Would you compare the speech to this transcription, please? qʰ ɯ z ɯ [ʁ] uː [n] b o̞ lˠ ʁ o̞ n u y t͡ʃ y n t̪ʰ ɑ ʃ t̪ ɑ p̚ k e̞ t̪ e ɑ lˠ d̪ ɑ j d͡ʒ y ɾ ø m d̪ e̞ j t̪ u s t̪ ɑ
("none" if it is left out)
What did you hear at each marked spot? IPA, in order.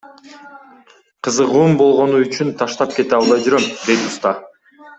ʁ, m

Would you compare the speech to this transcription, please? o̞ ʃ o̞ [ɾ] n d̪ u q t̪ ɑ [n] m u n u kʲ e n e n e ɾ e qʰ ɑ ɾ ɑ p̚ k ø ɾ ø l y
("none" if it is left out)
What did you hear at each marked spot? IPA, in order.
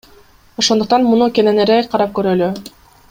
none, n

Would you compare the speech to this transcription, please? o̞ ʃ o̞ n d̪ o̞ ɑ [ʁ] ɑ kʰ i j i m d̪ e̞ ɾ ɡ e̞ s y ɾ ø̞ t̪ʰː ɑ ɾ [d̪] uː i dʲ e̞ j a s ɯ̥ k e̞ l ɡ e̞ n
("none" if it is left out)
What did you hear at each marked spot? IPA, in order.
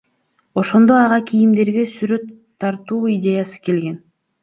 ʁ, t̪

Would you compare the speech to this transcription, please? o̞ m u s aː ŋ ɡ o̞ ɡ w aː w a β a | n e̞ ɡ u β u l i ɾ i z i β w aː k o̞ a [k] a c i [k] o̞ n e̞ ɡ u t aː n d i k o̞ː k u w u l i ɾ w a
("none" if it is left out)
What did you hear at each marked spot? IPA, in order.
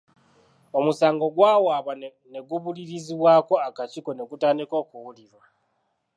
k, k

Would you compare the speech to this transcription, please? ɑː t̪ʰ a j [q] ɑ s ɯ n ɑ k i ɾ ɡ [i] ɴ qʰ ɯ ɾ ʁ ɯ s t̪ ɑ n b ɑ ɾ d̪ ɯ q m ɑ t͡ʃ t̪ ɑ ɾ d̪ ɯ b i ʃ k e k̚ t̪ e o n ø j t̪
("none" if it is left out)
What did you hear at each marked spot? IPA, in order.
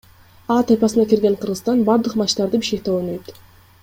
p, e

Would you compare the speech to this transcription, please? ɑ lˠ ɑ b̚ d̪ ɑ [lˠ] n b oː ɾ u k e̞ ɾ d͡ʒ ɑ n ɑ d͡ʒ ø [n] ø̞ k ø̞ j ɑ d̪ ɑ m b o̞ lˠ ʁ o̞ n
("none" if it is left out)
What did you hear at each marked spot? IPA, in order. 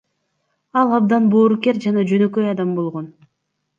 none, n

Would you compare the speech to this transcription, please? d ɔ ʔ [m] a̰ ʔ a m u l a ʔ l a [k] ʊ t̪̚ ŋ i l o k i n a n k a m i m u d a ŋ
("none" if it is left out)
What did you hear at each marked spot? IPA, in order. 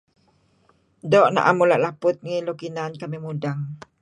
n, p

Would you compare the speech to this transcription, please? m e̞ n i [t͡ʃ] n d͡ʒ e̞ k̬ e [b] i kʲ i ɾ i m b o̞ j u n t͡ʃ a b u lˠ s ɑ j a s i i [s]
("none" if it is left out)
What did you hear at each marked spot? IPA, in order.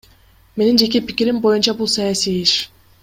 none, p, ʃ

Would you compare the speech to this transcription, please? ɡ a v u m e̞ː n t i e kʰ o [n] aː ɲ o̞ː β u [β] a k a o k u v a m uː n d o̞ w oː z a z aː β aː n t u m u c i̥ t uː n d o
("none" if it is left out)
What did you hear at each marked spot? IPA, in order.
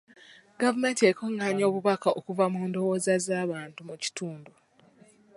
ŋ, β

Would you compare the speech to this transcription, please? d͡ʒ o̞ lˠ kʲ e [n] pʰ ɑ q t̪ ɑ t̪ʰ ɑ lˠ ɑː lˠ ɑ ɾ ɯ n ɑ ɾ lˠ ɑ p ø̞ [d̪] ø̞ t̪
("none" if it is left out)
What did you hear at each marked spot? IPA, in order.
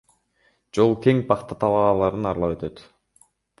ŋ, t̪

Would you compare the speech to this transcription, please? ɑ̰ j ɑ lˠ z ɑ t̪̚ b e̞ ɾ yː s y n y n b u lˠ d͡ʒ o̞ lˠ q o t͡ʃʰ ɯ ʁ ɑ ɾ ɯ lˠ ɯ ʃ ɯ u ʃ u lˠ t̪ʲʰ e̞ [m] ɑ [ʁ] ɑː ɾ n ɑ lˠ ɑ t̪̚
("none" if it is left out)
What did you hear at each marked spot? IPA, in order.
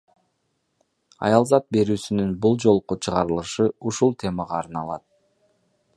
m, ʁ

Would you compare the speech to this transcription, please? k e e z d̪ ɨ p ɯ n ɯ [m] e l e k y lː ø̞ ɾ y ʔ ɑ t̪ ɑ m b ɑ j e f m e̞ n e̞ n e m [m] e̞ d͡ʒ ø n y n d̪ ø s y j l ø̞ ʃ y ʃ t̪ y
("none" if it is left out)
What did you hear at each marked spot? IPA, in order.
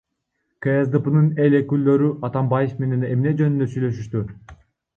n, n

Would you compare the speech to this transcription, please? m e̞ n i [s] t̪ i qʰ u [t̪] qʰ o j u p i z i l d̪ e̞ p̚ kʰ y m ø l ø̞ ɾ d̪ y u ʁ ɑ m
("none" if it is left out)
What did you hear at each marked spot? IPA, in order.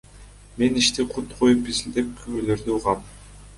ʃ, t̪

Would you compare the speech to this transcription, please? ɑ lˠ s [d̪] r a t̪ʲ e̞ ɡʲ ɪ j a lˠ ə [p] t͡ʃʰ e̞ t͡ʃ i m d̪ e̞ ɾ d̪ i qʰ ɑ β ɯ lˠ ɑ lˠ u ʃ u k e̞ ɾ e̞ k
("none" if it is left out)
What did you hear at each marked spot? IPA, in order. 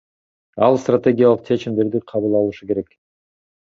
t̪, q

